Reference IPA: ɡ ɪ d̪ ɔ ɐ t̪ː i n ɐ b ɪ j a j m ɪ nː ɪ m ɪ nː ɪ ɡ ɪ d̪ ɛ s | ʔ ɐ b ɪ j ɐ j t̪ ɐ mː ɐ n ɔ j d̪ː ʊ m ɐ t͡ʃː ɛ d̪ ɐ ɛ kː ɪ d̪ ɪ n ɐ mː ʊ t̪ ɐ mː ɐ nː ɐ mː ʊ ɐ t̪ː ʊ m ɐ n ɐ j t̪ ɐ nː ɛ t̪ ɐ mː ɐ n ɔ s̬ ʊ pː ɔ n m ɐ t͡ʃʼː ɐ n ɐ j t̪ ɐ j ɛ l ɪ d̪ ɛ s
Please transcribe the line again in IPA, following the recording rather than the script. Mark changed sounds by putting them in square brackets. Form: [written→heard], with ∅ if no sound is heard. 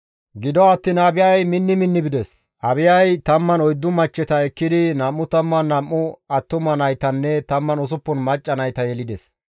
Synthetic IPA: ɡ ɪ d̪ ɔ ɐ t̪ː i n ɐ b ɪ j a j m ɪ nː ɪ m ɪ nː ɪ [ɡ→b] ɪ d̪ ɛ s | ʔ ɐ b ɪ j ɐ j t̪ ɐ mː ɐ n ɔ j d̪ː ʊ m ɐ t͡ʃː ɛ [d̪→t̪] ɐ ɛ kː ɪ d̪ ɪ n ɐ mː ʊ t̪ ɐ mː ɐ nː ɐ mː ʊ ɐ t̪ː ʊ m ɐ n ɐ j t̪ ɐ nː ɛ t̪ ɐ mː ɐ n ɔ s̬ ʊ pː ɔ n m ɐ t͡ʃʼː ɐ n ɐ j t̪ ɐ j ɛ l ɪ d̪ ɛ s